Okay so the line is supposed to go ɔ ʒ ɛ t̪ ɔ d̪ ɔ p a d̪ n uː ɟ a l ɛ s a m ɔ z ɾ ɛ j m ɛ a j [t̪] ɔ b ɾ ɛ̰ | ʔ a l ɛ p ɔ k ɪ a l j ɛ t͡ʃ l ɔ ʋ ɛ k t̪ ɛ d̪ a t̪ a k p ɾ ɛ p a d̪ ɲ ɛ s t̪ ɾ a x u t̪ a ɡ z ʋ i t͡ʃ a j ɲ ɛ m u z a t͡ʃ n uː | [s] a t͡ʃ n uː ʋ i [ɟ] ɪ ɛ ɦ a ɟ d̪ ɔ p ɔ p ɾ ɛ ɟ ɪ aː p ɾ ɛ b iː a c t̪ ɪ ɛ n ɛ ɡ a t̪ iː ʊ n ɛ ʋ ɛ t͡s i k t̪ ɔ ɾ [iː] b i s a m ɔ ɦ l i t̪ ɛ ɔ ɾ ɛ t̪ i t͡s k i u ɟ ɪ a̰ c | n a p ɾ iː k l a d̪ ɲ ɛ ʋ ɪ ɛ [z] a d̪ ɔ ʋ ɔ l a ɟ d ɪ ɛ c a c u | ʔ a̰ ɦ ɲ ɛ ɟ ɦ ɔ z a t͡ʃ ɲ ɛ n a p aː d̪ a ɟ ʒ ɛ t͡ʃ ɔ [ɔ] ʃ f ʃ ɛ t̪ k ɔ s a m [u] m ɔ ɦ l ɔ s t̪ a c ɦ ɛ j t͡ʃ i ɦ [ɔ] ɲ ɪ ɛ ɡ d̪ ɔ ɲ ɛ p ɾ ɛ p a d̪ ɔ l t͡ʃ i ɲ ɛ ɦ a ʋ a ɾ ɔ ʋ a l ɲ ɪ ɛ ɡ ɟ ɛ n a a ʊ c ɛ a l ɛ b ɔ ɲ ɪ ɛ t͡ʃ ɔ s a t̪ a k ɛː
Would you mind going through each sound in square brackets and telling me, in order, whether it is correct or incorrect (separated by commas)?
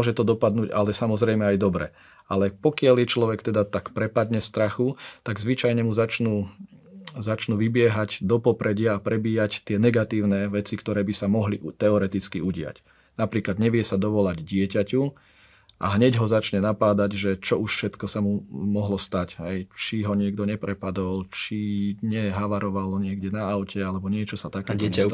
incorrect, incorrect, incorrect, incorrect, incorrect, incorrect, correct, correct